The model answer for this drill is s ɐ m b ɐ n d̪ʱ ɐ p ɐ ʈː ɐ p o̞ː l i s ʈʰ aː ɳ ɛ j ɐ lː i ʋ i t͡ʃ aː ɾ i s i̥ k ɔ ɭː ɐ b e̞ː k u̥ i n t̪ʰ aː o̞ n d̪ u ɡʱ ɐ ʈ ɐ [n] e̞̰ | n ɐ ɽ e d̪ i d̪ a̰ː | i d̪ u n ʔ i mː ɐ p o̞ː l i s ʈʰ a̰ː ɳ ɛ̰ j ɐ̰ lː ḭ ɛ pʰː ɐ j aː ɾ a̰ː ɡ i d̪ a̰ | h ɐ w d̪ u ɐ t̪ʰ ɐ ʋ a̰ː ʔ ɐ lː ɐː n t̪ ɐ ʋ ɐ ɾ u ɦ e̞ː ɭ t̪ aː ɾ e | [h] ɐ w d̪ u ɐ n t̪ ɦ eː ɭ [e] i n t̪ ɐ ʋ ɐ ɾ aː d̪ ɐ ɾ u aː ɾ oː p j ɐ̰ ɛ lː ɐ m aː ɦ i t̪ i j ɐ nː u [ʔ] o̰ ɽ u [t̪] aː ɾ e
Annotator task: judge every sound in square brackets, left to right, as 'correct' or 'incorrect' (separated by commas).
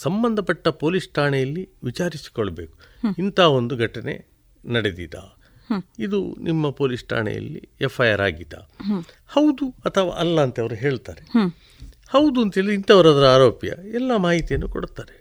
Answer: correct, correct, incorrect, incorrect, correct